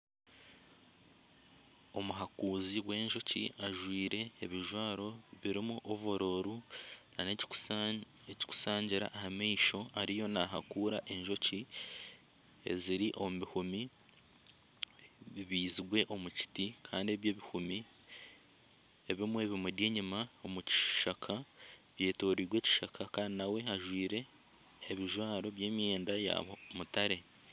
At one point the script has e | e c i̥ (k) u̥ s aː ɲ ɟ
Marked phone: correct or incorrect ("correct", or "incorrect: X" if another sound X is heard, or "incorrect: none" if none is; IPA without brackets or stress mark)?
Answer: correct